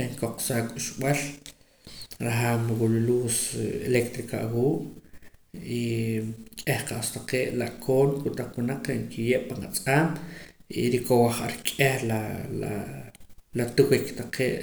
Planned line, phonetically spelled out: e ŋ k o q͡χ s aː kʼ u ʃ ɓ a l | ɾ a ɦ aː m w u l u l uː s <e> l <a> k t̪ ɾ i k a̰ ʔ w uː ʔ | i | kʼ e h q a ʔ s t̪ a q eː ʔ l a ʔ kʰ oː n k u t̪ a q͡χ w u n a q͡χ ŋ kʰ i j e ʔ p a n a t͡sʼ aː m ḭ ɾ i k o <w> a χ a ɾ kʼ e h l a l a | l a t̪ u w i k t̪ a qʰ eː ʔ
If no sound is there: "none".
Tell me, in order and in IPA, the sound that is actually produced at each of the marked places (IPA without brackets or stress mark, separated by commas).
e, e, w